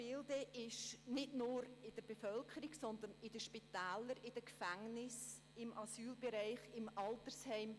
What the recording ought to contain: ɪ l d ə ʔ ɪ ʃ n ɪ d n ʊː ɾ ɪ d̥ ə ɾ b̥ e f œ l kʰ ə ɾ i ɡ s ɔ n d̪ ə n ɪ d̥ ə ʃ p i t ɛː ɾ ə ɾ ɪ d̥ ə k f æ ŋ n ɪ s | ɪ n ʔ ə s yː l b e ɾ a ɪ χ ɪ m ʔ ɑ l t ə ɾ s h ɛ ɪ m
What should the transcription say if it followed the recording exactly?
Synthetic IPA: ɪ l d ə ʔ ɪ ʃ n ɪ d n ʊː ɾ ɪ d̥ ə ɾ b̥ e f œ l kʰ ə ɾ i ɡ s ɔ n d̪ ə n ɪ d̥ ə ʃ p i t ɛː l ə ɾ ɪ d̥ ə k f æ ŋ n ɪ s | ɪ m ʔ ɑ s yː l b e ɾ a ɪ χ ɪ m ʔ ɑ l t ə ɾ s h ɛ ɪ m